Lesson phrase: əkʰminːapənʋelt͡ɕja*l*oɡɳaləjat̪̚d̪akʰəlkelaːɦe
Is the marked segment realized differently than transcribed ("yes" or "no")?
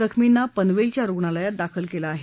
yes